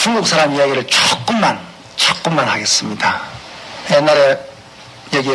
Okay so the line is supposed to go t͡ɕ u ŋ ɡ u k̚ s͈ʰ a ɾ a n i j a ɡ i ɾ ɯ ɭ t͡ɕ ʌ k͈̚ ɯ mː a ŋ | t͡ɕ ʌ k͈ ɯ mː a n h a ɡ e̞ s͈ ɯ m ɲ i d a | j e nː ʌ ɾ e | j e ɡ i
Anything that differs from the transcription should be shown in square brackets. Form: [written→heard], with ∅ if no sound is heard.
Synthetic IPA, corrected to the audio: t͡ɕ u ŋ ɡ u k̚ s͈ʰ a ɾ a [n→m] i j a ɡ i ɾ ɯ ɭ t͡ɕ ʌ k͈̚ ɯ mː a [ŋ→n] | t͡ɕ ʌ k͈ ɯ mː a n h a ɡ e̞ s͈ ɯ m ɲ i d a | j e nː [ʌ→a] ɾ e | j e ɡ i